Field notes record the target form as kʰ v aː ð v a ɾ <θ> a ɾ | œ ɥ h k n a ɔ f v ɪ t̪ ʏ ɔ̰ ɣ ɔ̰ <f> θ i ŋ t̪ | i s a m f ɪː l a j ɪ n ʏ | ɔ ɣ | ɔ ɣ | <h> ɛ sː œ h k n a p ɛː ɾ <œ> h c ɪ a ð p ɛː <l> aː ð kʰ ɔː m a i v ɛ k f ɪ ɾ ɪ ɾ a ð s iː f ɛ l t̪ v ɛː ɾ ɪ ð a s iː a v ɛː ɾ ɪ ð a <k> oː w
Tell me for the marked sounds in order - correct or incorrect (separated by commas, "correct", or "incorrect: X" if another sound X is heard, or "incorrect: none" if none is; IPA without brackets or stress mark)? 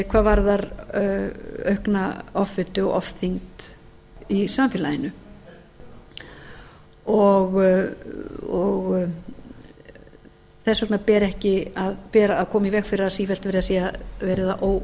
incorrect: ð, correct, incorrect: θ, incorrect: ɛ, incorrect: ɾ, incorrect: ʔ